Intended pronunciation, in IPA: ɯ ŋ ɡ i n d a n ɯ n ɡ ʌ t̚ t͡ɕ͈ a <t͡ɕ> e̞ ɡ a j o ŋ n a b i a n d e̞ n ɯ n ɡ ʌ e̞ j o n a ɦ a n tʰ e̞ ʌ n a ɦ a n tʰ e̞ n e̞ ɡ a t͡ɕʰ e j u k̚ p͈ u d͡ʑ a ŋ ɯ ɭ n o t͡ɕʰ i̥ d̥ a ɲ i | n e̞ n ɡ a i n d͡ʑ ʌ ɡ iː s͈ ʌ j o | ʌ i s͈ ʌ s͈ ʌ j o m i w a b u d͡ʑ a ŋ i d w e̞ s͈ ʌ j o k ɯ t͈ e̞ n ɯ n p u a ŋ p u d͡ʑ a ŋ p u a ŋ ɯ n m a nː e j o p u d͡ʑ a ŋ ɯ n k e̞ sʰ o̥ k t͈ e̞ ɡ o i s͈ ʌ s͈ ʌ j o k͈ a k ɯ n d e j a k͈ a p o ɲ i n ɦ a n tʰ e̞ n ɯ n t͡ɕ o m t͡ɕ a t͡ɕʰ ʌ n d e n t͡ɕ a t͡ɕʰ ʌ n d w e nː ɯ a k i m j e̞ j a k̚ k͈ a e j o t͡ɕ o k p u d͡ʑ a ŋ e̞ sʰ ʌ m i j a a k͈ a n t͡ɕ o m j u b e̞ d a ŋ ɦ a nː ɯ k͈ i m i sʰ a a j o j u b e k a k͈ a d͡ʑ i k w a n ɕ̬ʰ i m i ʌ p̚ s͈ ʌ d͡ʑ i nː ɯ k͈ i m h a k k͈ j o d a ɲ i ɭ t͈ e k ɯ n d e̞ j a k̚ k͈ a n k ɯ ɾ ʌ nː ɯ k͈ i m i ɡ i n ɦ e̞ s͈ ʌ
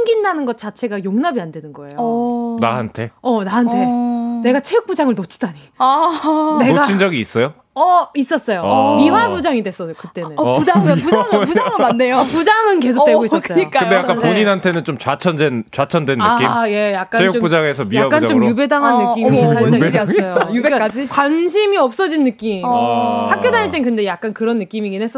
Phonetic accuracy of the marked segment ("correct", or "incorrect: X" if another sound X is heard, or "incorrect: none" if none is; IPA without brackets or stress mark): incorrect: t͡ɕʰ